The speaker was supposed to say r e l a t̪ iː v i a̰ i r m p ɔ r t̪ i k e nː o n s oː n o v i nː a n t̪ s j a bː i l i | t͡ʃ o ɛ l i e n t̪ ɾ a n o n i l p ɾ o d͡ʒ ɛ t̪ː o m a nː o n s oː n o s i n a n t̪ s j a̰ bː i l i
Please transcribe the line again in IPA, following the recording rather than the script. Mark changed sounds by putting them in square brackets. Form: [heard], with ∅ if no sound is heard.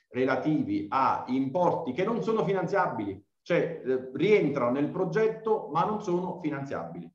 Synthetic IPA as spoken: r e l a t̪ iː v i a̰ i [∅] m p ɔ r t̪ i k e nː o n s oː n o [f] i [n] a n t̪ s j a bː i l i | t͡ʃ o ɛ [r] i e n t̪ ɾ a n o n [e] l p ɾ o d͡ʒ ɛ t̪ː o m a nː o n s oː n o [f] i n a n t̪ s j a̰ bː i l i